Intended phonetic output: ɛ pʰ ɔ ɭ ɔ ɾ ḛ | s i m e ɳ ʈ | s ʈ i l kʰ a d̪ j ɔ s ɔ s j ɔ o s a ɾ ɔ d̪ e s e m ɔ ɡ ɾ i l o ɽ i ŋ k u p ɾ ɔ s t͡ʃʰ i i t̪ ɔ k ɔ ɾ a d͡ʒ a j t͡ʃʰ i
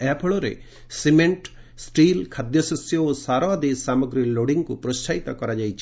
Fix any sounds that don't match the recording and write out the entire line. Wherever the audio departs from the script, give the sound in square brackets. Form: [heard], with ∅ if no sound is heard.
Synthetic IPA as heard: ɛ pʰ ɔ ɭ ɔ ɾ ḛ | s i m e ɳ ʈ | s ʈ i l kʰ a d̪ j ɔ s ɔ s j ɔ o s a ɾ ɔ d̪ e s [a] m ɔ ɡ ɾ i l o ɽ i ŋ k u p ɾ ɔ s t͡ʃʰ [a] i t̪ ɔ k ɔ ɾ a d͡ʒ a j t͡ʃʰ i